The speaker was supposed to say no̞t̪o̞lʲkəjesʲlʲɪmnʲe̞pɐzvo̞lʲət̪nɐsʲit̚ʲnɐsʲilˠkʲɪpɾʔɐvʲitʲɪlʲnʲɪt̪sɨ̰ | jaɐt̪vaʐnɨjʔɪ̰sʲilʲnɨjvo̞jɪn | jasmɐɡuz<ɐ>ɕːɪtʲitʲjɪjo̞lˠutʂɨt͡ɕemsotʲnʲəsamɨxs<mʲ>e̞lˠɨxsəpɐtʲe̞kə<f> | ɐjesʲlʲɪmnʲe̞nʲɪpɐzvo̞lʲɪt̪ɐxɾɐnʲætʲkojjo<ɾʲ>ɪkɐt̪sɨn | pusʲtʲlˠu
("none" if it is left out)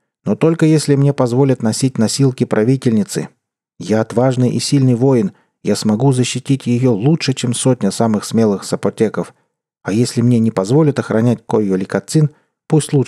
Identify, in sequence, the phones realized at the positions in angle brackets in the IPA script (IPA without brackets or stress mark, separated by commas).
ə, mʲ, f, lʲ